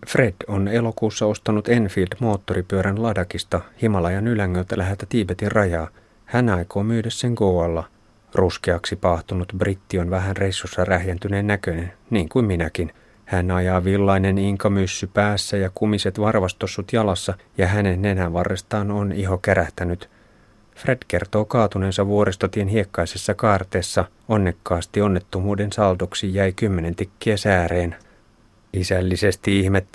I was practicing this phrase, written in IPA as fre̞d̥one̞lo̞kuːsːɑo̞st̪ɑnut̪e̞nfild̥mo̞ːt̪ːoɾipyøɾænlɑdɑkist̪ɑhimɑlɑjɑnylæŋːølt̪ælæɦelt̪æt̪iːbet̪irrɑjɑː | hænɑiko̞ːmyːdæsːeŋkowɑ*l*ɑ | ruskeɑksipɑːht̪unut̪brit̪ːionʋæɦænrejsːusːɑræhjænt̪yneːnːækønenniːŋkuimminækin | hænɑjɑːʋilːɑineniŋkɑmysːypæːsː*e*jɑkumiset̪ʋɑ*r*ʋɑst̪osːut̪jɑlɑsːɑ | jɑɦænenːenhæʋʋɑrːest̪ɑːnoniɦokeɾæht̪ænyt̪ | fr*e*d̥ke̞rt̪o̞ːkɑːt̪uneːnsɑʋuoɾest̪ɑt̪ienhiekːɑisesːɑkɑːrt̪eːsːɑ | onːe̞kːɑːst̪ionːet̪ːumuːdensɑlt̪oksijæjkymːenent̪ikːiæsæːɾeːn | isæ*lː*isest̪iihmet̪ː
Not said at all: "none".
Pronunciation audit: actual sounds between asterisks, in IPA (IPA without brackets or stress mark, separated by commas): lː, æ, r, e, lː